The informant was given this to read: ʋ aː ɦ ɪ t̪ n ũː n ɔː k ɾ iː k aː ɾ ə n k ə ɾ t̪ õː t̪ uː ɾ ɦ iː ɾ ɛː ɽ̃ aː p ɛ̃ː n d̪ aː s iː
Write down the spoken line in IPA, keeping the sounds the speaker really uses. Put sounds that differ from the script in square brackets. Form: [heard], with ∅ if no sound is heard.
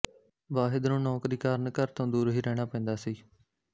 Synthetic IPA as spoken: ʋ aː ɦ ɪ [d̪] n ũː n ɔː k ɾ iː k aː ɾ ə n k ə ɾ t̪ õː [d̪] uː ɾ ɦ iː ɾ ɛː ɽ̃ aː p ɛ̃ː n d̪ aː s iː